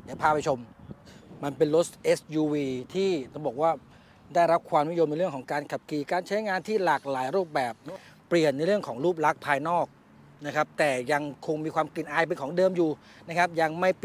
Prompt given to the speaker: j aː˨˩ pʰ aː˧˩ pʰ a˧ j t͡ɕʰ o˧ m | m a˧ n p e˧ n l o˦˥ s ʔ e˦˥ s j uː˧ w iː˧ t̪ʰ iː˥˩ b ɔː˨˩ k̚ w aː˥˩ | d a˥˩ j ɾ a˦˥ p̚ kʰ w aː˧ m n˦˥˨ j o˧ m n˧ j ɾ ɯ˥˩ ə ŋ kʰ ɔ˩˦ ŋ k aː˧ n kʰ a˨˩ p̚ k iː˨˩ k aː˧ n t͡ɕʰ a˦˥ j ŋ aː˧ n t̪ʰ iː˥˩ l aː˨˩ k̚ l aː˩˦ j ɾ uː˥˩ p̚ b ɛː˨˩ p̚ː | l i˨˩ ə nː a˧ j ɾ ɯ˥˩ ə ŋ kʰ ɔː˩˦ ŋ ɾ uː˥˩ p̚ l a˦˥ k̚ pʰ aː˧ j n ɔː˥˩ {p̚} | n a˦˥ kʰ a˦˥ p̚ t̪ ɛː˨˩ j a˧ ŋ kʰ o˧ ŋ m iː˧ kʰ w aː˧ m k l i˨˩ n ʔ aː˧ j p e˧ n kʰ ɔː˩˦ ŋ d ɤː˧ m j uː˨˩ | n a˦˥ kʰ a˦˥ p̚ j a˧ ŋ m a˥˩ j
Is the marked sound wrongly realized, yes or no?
yes